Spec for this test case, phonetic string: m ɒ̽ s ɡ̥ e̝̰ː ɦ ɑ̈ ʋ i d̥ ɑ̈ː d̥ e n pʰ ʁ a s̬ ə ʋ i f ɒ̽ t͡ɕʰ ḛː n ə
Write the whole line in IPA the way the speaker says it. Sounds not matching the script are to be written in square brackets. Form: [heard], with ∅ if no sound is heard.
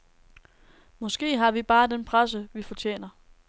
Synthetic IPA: m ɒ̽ s ɡ̥ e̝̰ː ɦ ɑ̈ ʋ i [b̥] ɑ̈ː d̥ e n pʰ ʁ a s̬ ə ʋ i f ɒ̽ t͡ɕʰ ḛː n [ɐ]

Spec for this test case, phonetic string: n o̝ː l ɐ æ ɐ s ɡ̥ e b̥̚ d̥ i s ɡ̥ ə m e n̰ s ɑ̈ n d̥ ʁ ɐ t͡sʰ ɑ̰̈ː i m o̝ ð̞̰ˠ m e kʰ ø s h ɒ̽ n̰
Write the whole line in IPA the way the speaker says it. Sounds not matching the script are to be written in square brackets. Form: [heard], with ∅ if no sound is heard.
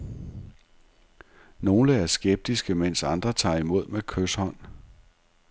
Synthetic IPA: n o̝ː l [ə] æ ɐ s ɡ̥ e b̥̚ d̥ i s ɡ̥ ə m e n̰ s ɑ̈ n d̥ ʁ ɐ t͡sʰ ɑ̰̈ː i m o̝ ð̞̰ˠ m e kʰ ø s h ɒ̽ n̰

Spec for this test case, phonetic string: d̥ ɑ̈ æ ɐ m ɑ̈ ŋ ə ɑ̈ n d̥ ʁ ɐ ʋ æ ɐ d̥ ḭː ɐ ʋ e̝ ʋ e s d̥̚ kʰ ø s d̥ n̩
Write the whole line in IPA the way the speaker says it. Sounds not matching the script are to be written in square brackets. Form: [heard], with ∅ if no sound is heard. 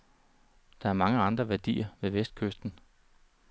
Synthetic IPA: d̥ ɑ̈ æ ɐ m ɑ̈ ŋ ə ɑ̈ n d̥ ʁ ɐ ʋ æ ɐ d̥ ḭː ɐ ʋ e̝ ʋ e s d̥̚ kʰ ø s d̥ n̩

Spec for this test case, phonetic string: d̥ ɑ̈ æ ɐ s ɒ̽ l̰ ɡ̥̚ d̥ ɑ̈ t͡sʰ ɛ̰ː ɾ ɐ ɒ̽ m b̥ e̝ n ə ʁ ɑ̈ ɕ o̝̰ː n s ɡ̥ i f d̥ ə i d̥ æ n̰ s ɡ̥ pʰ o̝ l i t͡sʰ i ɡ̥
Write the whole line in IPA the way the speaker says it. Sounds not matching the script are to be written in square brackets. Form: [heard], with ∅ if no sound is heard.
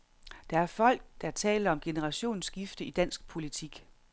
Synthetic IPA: d̥ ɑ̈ æ ɐ [f] ɒ̽ l̰ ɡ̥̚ d̥ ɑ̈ t͡sʰ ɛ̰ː [l] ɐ ɒ̽ m [ɡ̥] e̝ n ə ʁ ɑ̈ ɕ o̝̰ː n s ɡ̥ i f d̥ ə i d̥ æ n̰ s ɡ̥ pʰ o̝ l i t͡sʰ i ɡ̥

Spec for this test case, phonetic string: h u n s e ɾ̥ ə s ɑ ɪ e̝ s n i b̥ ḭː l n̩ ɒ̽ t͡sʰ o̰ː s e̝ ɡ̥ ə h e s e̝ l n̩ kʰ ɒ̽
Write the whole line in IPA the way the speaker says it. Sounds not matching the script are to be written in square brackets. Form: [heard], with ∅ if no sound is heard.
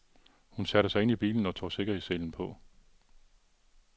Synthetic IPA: h u n s [æ] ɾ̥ ə s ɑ ɪ e̝ [∅] n i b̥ ḭː l n̩ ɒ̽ t͡sʰ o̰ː s e̝ ɡ̥ [ɐ] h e s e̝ l n̩ [pʰ] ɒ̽

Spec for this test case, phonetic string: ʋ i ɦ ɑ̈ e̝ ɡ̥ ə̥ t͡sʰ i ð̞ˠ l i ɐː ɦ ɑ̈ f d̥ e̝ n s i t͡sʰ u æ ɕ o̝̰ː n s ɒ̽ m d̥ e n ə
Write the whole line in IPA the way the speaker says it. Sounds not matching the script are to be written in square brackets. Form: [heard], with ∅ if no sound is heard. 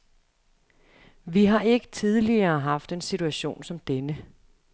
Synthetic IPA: ʋ i ɦ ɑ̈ e̝ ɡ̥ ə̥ t͡sʰ i ð̞ˠ l i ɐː ɦ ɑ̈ f d̥ e̝ n s i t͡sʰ u æ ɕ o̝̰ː n s ɒ̽ m d̥ e n ə

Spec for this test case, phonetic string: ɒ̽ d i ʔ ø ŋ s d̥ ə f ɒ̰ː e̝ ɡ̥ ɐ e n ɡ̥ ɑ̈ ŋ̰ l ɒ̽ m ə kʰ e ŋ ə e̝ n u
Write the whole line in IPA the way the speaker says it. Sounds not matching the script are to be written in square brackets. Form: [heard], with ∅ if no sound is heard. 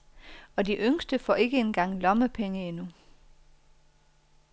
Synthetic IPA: ɒ̽ d i ʔ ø ŋ s d̥ ə f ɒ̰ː e̝ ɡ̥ [ə] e n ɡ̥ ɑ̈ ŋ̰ l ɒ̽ m ə [pʰ] e ŋ ə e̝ n u

